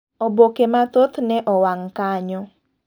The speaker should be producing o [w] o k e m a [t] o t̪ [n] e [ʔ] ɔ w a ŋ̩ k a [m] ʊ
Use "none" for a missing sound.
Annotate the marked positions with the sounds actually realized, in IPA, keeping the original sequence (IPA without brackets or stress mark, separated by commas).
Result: b, t, n, ʔ, ɲ